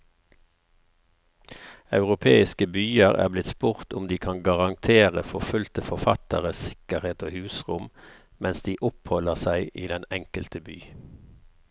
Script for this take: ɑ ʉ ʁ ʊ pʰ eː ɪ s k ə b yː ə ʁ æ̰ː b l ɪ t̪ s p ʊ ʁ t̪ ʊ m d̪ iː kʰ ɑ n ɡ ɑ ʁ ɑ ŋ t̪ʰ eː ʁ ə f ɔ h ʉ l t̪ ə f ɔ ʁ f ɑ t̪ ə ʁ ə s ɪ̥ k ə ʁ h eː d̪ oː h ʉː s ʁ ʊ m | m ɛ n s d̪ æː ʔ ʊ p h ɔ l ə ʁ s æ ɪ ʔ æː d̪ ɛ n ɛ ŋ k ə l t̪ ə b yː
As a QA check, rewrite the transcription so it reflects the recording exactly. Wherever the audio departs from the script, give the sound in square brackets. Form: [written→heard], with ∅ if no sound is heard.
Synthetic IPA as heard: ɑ ʉ ʁ ʊ pʰ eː ɪ s k ə b yː ə ʁ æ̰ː b l ɪ t̪ s p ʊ ʁ t̪ ʊ m d̪ iː kʰ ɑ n ɡ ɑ ʁ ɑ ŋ t̪ʰ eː ʁ ə f ɔ [h→f] ʉ l t̪ ə f ɔ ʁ f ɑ t̪ ə ʁ ə s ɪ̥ k ə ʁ h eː [d̪→t̪] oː h ʉː s ʁ ʊ m | m ɛ n s d̪ [æː→iː] ʔ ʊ p h ɔ l ə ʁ s æ ɪ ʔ [æː→iː] d̪ ɛ n ɛ ŋ k ə l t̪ ə b yː